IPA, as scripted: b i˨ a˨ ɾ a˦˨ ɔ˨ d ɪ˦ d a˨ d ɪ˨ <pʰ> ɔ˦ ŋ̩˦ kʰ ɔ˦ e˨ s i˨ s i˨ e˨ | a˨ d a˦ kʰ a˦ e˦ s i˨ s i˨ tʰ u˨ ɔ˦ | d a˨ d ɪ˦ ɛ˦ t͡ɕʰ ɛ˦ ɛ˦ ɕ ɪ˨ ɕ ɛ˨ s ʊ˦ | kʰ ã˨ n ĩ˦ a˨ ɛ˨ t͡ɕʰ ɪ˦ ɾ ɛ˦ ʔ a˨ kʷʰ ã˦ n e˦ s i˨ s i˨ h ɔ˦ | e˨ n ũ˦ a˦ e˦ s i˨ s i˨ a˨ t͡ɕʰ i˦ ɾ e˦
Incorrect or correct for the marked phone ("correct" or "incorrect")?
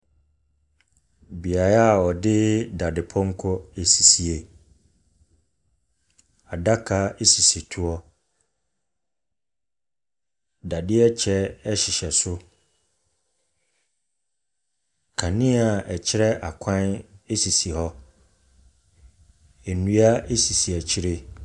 correct